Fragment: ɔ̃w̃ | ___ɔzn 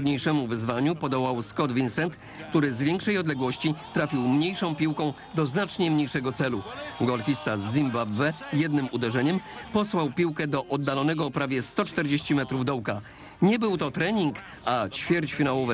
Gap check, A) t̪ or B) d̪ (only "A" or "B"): B